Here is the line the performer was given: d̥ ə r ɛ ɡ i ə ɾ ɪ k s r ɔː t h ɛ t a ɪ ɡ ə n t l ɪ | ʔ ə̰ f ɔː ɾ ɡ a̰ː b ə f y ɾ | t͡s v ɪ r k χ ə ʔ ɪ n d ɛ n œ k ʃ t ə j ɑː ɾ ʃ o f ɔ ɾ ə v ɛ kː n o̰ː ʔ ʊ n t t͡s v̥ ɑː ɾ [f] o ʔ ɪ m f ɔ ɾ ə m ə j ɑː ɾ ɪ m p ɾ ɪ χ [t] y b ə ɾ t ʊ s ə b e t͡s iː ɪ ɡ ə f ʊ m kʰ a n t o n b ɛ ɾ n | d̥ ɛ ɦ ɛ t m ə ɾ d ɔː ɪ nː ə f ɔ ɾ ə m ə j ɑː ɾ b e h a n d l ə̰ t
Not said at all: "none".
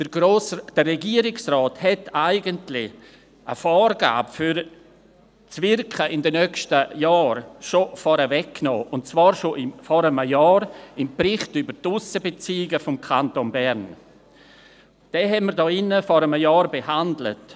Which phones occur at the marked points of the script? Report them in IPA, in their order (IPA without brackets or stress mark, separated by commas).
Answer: ʃ, t